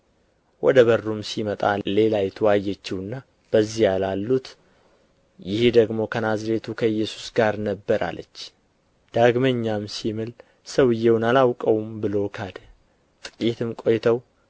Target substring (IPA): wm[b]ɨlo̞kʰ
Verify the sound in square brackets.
correct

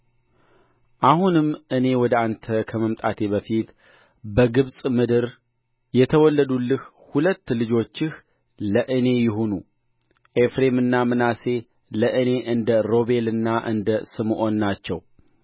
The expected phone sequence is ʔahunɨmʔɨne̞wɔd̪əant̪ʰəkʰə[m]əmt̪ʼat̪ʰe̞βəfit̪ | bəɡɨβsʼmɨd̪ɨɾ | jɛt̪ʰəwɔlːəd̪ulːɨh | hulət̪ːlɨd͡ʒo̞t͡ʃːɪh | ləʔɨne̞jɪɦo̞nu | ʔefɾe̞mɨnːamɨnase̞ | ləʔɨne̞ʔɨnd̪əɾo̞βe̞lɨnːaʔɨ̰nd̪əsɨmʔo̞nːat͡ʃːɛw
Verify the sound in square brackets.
correct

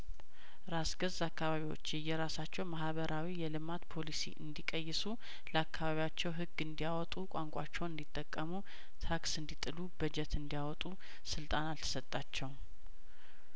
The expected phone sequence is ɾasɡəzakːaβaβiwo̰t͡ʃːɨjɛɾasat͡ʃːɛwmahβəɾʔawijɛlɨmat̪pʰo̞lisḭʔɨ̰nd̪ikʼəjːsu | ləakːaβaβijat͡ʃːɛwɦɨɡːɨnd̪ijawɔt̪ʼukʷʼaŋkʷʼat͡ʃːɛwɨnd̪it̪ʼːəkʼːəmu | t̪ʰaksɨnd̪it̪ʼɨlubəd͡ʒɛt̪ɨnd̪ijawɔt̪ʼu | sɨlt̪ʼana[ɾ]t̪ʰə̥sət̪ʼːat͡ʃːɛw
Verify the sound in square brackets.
incorrect: l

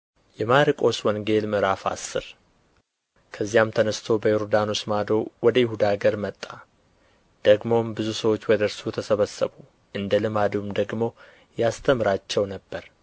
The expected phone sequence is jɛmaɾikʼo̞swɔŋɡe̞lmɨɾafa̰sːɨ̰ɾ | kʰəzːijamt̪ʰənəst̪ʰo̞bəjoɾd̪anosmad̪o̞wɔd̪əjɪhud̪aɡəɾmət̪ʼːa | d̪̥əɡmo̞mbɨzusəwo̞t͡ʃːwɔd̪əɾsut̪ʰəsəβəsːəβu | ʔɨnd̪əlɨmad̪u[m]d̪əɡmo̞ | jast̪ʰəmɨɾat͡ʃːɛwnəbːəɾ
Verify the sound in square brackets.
correct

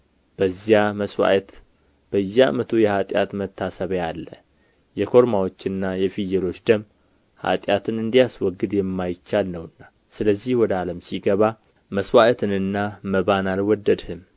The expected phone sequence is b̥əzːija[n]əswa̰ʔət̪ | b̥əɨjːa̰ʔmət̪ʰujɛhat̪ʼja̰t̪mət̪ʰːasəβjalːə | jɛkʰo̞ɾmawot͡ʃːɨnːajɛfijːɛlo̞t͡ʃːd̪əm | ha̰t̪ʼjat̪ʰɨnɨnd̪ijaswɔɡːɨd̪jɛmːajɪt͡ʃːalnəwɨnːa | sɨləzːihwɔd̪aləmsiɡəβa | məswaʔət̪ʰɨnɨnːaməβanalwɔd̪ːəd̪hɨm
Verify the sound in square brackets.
incorrect: m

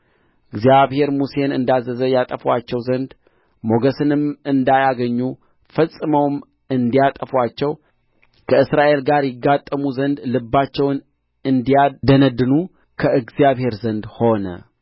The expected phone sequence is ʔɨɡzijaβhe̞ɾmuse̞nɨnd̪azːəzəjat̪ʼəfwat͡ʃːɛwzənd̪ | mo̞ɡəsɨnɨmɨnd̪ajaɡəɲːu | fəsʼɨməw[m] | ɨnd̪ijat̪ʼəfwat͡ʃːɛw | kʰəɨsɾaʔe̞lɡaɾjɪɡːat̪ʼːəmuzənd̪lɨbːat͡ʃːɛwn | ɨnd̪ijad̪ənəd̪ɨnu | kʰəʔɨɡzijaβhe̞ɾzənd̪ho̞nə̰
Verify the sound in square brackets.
correct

